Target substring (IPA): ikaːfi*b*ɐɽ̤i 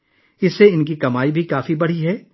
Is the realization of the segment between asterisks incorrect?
no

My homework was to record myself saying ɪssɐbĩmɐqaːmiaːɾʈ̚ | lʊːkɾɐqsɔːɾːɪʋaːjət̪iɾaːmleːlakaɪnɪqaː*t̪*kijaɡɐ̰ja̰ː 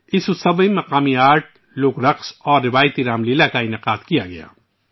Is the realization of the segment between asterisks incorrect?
yes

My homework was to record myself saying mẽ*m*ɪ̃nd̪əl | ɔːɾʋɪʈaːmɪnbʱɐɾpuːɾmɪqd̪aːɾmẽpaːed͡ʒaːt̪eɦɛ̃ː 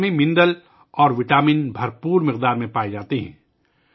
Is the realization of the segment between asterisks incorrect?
no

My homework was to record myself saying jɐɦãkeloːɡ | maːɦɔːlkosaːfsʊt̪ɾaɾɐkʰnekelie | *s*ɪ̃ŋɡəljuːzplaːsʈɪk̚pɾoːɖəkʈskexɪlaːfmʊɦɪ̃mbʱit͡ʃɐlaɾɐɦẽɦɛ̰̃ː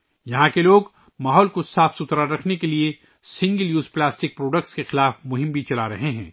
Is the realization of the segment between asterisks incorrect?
no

